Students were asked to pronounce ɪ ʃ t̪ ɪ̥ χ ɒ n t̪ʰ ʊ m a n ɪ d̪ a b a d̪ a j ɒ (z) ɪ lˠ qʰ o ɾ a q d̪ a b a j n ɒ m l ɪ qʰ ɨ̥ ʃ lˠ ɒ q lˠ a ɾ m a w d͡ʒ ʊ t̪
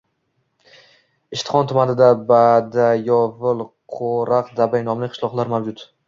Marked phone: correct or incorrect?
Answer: incorrect